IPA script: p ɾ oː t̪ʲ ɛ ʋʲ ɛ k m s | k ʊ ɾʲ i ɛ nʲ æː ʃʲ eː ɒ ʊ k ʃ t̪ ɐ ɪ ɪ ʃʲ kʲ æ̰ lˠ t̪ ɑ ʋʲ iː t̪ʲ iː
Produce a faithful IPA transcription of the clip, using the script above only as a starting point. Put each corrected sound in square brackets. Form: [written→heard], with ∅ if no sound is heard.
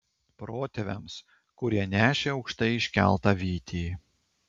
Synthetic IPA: p ɾ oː t̪ʲ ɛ ʋʲ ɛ [k→∅] m s | k ʊ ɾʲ i ɛ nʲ æː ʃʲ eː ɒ ʊ k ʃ t̪ ɐ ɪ ɪ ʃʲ kʲ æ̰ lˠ t̪ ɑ ʋʲ iː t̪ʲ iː